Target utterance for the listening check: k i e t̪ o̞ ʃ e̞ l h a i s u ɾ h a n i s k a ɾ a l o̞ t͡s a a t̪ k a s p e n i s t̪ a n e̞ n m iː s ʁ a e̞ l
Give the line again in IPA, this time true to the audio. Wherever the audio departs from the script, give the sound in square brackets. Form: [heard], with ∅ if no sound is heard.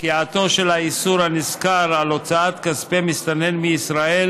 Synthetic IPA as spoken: k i [a] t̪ o̞ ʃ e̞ l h a i s u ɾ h a n i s k a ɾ a l o̞ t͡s a a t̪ k a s p e [m] i s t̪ a n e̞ n m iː s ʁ a e̞ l